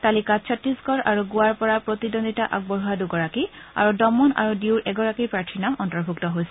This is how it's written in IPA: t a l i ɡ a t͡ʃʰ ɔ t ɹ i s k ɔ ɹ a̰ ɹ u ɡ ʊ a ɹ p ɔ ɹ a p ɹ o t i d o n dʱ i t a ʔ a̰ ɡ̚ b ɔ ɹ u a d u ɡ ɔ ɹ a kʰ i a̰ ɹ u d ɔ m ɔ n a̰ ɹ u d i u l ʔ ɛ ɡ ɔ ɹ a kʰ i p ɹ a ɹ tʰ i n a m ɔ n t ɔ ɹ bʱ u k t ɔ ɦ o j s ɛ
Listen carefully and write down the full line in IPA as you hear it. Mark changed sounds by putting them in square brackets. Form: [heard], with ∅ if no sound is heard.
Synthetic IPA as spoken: t a l i [k] a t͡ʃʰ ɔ t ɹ i s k ɔ ɹ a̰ ɹ u ɡ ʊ a ɹ p ɔ ɹ a p ɹ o t i d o n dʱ i t a ʔ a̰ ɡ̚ b ɔ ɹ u a d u ɡ ɔ ɹ a [k] i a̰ ɹ u d ɔ m ɔ n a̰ ɹ u d i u [ɹ] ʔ ɛ ɡ ɔ ɹ a [k] i p ɹ a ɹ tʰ i n a m ɔ n t ɔ ɹ bʱ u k t ɔ ɦ o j s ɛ

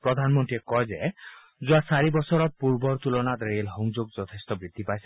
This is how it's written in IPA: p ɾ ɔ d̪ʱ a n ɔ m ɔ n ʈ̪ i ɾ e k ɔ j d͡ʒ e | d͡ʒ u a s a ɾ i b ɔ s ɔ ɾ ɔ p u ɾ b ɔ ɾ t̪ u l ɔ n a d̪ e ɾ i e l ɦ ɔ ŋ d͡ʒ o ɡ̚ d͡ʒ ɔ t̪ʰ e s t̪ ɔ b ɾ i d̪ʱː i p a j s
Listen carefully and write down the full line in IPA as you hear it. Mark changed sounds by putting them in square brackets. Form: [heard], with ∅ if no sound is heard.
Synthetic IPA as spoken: p ɾ ɔ d̪ʱ a n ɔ m ɔ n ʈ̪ i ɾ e k ɔ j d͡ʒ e | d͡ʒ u a s a ɾ i b ɔ s ɔ ɾ ɔ p u ɾ b ɔ ɾ t̪ u l ɔ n a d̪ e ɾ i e l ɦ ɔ ŋ d͡ʒ o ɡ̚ d͡ʒ ɔ t̪ʰ e s t̪ ɔ b ɾ i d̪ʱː i p a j s

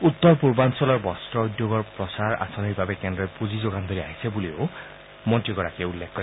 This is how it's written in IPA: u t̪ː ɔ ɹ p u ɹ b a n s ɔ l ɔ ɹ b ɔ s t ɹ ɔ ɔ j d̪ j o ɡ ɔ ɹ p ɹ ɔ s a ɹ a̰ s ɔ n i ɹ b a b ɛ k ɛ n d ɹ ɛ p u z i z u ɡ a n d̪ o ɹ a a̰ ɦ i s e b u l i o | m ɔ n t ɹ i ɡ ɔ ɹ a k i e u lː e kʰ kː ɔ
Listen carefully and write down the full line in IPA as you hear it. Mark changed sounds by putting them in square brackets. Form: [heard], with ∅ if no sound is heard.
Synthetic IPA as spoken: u t̪ː ɔ ɹ p u ɹ b a n s ɔ l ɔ ɹ b ɔ s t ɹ ɔ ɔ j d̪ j o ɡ ɔ ɹ p ɹ ɔ s a ɹ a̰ s ɔ n i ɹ b a b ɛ k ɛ n d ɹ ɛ p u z i z [o] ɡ a n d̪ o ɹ [i] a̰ ɦ i s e b u l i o | m ɔ n t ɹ i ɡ ɔ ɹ a k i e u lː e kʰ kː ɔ

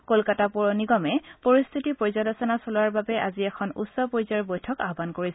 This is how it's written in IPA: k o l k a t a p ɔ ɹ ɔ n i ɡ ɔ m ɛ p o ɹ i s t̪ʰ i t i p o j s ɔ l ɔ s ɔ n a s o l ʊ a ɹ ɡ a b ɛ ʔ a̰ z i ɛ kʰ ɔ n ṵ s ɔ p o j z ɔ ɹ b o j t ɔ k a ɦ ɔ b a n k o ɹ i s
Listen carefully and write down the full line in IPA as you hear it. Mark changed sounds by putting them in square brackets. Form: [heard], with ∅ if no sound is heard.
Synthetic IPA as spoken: k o l k a t a p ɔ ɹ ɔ n i ɡ ɔ m ɛ p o ɹ i s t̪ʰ i t i p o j [z] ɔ l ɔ s ɔ n a s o l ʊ a ɹ [b] a b ɛ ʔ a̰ z i ɛ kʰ ɔ n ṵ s ɔ p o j z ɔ ɹ b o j [tʰ] ɔ k a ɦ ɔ b a n k o ɹ i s

